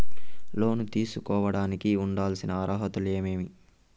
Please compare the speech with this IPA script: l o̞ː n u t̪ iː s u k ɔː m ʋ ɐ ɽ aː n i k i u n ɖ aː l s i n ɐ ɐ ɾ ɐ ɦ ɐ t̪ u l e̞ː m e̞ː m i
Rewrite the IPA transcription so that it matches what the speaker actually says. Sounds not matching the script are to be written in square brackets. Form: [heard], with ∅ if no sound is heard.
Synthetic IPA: l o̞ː n u t̪ iː s u k ɔː [∅] ʋ ɐ ɽ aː n i k i u [ɳ] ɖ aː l s i n ɐ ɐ ɾ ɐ ɦ ɐ t̪ u l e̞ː m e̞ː m i

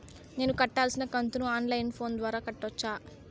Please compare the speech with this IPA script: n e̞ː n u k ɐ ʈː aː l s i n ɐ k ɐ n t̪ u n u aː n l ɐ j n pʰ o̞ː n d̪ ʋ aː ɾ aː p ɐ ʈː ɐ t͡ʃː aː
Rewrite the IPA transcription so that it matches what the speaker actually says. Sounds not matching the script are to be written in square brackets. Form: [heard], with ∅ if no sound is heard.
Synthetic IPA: n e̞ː n u k ɐ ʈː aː l s i n ɐ k ɐ n t̪ u n u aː n l ɐ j n pʰ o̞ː n d̪ ʋ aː ɾ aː [k] ɐ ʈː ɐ t͡ʃː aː

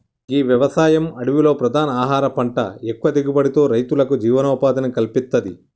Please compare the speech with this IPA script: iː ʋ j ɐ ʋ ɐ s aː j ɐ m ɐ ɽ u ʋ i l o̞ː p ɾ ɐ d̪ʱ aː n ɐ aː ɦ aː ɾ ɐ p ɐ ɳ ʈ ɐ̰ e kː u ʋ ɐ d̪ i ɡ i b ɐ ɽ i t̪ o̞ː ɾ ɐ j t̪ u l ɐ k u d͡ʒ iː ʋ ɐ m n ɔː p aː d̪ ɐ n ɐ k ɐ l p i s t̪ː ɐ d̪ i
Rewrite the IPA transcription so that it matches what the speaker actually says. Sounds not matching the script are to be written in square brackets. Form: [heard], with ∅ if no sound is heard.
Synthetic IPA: iː ʋ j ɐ ʋ ɐ s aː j ɐ m ɐ ɽ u ʋ i l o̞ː p ɾ ɐ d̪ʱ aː n ɐ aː ɦ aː ɾ ɐ p ɐ ɳ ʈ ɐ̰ e kː u ʋ ɐ d̪ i ɡ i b ɐ ɽ i t̪ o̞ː ɾ ɐ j t̪ u l ɐ k u d͡ʒ iː ʋ ɐ [∅] n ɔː p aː d̪ ɐ n ɐ k ɐ l p i s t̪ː ɐ d̪ i

